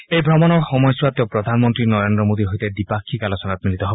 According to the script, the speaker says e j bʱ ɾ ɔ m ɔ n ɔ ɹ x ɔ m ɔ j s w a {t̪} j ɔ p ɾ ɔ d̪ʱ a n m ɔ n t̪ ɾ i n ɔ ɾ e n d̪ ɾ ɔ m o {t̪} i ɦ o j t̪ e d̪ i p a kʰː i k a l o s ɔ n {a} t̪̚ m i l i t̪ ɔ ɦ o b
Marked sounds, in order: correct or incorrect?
correct, incorrect: d̪, correct

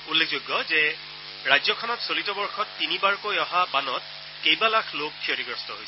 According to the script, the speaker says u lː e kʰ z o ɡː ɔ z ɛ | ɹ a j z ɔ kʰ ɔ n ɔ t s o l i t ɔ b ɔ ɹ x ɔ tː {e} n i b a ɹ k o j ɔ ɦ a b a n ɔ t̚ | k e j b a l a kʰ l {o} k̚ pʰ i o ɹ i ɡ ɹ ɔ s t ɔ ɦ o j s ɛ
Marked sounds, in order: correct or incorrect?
incorrect: i, correct

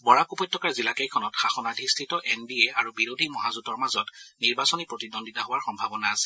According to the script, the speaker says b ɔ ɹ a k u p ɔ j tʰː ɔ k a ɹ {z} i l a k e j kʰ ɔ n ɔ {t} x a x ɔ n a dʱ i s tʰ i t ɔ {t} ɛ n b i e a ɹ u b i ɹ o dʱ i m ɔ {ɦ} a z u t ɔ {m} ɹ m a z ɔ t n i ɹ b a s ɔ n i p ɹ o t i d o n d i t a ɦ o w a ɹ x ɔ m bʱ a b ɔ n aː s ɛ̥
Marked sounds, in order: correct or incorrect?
correct, correct, incorrect: ʔ, correct, incorrect: none

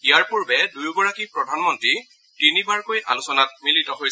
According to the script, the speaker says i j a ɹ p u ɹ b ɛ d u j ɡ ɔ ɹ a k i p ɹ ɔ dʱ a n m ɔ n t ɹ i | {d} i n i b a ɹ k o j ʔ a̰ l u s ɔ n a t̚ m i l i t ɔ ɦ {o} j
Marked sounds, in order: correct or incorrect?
incorrect: t, correct

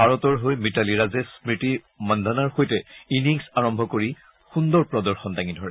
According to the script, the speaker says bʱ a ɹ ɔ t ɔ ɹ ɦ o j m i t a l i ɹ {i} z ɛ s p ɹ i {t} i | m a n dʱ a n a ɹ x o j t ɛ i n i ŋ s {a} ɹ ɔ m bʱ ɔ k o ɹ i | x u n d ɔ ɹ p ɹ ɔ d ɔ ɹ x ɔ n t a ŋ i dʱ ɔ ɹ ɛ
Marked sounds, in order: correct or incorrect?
incorrect: a, correct, correct

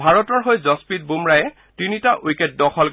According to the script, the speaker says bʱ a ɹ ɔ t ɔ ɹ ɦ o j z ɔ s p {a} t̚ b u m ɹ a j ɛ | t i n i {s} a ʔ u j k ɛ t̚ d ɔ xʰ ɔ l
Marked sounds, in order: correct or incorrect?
incorrect: i, incorrect: t

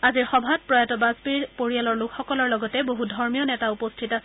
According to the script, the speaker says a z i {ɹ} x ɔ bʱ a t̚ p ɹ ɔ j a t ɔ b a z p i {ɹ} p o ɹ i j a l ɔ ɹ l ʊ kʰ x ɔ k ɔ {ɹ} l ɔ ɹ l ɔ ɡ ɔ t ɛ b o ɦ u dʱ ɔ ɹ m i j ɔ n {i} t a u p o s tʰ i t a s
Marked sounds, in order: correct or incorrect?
correct, correct, incorrect: none, incorrect: ɛ

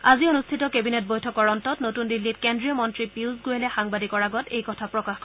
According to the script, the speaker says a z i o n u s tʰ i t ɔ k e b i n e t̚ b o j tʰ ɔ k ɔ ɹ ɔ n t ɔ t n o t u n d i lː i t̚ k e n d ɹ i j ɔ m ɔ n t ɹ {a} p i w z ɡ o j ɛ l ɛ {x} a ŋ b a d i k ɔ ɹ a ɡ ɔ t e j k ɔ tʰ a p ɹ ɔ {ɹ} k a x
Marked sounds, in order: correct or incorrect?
incorrect: i, correct, incorrect: none

